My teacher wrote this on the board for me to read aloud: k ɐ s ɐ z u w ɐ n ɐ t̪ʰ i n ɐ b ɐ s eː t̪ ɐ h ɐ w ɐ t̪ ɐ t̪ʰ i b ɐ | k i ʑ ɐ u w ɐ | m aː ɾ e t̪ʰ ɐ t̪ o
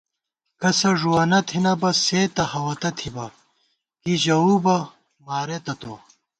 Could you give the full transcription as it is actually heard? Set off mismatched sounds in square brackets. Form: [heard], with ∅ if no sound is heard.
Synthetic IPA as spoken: k ɐ s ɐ [ʐ] u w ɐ n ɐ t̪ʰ i n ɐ b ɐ s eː t̪ ɐ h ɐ w ɐ t̪ ɐ t̪ʰ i b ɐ | k i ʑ ɐ u [b] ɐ | m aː ɾ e [t̪] ɐ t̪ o